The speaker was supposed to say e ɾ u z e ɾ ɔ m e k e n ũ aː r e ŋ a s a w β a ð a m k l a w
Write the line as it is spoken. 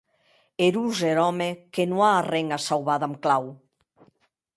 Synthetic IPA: e ɾ u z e ɾ ɔ m e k e n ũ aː r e ŋ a s a w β a ð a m k l a w